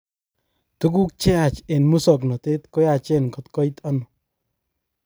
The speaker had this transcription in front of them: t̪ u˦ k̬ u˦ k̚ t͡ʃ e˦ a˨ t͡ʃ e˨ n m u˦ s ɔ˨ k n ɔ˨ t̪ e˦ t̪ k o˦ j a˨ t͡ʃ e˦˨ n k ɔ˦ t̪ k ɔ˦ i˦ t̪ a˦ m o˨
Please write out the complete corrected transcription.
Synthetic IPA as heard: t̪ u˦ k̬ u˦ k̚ t͡ʃ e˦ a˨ t͡ʃ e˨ n m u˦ s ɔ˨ k n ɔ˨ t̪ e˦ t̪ k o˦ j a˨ t͡ʃ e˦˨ n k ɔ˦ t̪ k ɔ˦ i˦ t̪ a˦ n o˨